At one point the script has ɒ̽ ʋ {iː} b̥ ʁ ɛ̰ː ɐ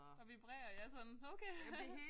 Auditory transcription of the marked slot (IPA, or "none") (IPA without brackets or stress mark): i